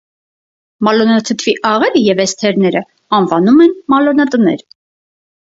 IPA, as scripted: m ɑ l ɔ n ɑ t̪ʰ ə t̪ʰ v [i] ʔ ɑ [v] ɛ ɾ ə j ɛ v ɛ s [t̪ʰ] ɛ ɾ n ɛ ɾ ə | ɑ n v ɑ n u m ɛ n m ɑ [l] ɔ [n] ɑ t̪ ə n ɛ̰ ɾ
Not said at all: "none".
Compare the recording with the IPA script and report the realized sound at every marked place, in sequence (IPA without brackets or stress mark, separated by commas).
i, ʁ, t̪ʰ, l, n